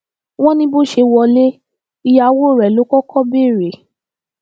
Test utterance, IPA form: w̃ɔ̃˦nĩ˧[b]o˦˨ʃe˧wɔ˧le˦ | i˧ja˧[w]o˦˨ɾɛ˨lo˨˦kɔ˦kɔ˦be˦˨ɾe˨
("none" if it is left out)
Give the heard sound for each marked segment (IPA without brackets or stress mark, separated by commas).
b, w